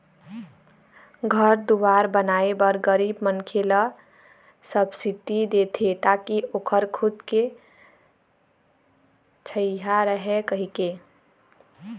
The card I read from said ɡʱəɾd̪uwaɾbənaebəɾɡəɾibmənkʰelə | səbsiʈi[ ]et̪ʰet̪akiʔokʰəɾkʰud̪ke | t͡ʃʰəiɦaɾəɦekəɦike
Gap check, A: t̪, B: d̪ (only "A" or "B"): B